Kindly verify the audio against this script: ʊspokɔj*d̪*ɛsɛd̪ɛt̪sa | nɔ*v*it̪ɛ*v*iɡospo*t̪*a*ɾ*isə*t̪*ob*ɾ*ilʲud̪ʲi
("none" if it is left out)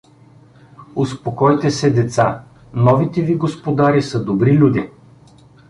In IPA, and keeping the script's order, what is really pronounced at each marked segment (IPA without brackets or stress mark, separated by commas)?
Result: t̪, v, v, d̪, ɾ, d̪, ɾ